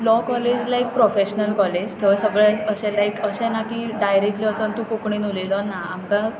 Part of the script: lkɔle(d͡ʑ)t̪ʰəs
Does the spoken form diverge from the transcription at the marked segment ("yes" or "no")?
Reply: no